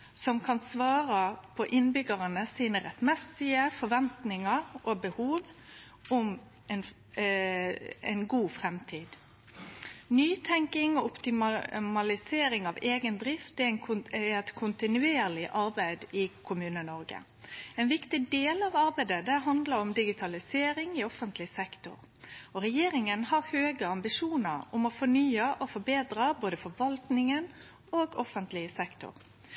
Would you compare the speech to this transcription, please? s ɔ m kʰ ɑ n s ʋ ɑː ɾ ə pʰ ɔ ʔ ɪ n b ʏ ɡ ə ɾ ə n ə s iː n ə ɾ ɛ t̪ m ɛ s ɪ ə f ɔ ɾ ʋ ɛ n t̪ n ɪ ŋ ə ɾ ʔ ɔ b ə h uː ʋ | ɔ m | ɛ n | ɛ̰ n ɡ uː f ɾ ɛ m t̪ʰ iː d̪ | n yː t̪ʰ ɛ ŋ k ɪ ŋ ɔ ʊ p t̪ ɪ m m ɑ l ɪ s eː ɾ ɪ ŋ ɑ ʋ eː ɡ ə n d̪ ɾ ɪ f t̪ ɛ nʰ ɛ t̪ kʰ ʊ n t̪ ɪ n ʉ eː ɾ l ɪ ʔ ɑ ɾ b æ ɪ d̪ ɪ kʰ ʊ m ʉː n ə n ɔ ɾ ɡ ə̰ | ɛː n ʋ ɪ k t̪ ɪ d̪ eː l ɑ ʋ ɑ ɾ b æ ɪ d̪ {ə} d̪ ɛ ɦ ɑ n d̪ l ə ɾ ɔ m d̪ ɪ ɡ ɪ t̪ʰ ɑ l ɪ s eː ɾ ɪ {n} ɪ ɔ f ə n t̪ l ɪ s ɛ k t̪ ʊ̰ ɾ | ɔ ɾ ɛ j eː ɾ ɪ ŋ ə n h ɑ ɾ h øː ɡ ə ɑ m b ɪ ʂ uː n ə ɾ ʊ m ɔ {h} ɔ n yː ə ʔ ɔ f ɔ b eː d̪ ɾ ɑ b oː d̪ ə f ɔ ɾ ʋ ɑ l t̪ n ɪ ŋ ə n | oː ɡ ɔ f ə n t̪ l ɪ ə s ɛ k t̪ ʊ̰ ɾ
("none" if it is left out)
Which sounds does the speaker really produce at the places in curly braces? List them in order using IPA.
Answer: ə, ŋ, f

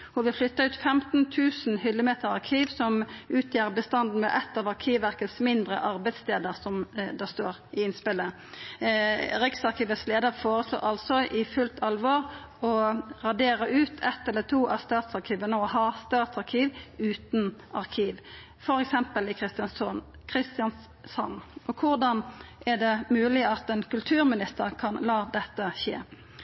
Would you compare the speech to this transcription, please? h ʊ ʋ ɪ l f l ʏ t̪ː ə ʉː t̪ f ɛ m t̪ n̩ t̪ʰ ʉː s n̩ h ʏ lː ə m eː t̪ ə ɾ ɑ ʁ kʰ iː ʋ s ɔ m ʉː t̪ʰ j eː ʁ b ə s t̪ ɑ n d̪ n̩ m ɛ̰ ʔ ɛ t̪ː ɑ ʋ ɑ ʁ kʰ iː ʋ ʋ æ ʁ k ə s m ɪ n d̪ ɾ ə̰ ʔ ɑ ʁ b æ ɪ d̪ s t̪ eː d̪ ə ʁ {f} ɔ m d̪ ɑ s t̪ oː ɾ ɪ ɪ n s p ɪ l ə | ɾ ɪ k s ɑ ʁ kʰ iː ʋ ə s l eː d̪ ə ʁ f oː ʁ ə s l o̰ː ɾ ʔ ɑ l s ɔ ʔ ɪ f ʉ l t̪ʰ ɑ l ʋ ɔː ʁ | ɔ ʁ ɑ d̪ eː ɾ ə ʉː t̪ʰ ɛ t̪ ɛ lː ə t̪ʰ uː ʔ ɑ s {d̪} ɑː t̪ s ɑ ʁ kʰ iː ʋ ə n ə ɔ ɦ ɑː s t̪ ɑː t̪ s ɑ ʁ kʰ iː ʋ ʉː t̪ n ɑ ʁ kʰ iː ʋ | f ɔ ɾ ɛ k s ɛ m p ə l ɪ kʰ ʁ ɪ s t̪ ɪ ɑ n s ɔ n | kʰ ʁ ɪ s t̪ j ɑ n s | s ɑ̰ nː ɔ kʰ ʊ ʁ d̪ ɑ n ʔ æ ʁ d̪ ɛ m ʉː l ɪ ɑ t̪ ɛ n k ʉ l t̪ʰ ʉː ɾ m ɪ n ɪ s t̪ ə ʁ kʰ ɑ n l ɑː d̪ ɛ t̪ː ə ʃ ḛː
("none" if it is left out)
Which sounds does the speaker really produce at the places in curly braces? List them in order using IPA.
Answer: s, t̪

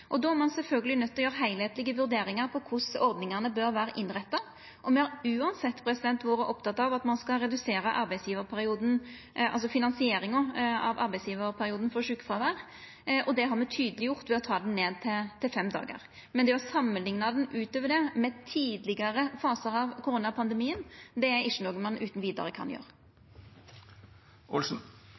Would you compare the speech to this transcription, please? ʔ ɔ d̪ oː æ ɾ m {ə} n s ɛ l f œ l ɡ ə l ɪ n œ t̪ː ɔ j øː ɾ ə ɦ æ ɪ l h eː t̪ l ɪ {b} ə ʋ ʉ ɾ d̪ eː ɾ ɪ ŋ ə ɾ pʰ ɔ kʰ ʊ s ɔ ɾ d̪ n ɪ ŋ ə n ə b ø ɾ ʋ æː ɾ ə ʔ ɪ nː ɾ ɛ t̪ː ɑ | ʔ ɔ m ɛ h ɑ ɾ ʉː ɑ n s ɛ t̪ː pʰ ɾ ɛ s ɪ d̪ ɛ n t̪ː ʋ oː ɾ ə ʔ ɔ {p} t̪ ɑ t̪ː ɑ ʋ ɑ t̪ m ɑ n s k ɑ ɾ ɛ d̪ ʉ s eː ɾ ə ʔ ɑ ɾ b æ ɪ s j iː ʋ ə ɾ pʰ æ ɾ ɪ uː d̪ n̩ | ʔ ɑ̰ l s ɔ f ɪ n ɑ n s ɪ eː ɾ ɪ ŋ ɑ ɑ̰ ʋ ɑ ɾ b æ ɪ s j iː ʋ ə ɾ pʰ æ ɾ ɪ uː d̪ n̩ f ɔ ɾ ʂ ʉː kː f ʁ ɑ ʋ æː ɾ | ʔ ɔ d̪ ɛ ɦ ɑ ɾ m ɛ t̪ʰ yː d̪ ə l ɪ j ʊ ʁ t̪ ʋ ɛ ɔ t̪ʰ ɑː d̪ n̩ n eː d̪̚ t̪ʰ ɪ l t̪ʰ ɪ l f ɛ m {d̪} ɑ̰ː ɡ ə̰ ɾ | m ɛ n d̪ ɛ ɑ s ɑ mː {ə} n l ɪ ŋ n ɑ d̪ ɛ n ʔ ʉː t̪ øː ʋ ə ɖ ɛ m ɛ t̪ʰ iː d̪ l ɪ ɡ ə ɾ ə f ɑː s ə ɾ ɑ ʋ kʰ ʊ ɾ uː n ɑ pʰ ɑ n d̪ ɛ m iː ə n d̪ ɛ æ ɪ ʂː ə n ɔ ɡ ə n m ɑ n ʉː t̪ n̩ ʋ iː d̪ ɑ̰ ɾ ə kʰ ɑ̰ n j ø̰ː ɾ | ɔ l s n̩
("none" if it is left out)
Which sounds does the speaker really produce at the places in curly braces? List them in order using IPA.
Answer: ɑ, ɡ, p, d̪, ə

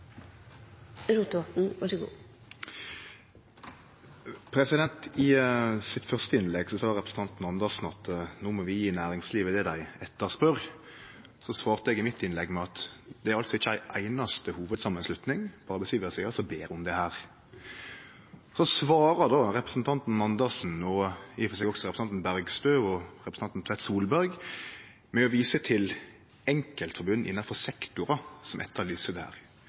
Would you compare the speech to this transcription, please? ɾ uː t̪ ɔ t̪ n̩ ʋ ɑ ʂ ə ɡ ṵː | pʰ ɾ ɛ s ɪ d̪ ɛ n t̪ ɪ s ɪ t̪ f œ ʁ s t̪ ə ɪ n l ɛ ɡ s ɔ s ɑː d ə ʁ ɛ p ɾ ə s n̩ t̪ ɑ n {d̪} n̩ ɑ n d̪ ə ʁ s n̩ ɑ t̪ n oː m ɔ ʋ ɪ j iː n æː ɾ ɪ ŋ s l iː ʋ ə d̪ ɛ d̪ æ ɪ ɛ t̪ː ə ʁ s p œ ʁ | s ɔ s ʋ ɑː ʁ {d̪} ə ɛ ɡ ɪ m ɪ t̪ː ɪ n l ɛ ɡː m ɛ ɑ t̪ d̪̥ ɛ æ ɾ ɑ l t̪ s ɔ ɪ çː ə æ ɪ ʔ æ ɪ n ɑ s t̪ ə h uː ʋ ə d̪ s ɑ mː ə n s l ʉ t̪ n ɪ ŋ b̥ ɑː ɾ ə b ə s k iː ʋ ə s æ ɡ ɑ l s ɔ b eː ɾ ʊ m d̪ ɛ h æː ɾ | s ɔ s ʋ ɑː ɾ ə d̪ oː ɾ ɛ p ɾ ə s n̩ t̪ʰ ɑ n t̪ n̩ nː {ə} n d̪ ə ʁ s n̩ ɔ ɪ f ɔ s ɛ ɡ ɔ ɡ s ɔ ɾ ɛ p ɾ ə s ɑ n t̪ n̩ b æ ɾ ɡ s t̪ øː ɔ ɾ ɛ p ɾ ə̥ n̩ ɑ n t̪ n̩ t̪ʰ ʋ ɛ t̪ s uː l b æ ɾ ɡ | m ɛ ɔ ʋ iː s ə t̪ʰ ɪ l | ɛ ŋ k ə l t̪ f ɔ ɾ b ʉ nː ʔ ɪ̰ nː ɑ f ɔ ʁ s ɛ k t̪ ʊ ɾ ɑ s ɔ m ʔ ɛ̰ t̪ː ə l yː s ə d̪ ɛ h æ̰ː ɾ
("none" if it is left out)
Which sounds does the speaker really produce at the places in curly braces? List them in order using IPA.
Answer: t̪, t̪, ɑ

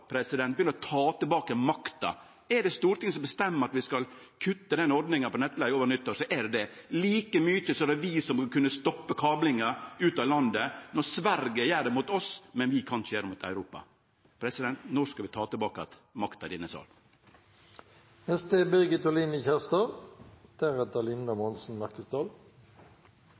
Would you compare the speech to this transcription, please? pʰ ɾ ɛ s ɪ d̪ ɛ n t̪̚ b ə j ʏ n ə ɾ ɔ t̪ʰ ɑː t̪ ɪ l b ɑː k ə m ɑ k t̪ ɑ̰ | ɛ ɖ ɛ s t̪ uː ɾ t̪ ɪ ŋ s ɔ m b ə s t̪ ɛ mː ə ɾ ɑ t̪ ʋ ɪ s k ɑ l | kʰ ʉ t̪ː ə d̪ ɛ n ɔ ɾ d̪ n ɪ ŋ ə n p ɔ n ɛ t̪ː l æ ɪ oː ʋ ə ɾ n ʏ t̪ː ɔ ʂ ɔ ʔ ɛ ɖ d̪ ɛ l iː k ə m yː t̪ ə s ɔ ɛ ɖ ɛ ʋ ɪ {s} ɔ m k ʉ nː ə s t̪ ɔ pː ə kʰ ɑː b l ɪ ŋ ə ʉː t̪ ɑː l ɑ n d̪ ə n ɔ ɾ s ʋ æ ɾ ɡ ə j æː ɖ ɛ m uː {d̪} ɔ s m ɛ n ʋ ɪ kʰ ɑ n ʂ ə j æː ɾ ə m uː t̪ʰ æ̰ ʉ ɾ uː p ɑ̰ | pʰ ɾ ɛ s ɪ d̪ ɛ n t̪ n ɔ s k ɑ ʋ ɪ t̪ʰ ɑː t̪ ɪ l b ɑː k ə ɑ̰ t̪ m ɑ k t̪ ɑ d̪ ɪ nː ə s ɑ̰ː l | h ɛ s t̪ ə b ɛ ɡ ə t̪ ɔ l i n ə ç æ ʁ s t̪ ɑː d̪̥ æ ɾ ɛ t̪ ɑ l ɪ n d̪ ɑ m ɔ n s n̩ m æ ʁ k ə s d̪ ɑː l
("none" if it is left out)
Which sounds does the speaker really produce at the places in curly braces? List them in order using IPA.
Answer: s, t̪

